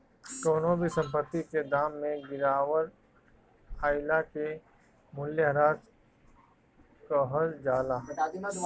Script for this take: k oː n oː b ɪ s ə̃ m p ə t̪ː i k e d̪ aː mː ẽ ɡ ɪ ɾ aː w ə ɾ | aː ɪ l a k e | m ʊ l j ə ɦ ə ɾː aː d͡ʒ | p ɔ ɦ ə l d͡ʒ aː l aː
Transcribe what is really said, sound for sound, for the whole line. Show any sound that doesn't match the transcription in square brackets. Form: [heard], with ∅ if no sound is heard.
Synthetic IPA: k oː n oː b [i] s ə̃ m p ə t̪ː i k e d̪ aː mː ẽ ɡ ɪ ɾ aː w ə ɾ | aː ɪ l a k e | m ʊ l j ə ɦ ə [ɾ] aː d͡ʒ | [k] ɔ ɦ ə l d͡ʒ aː l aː